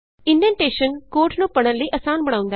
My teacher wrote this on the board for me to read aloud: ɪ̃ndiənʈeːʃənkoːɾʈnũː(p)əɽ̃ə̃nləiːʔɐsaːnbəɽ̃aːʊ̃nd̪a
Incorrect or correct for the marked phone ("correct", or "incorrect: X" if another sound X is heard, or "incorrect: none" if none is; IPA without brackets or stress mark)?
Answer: correct